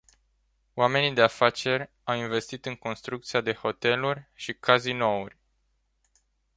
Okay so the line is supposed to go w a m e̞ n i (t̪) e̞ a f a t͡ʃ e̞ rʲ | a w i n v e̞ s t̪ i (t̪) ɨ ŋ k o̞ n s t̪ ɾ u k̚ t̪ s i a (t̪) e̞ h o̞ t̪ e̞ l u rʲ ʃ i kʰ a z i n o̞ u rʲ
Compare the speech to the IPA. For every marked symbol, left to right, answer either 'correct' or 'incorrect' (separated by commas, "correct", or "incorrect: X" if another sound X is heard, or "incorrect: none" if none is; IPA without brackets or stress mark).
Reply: incorrect: d̪, correct, incorrect: d̪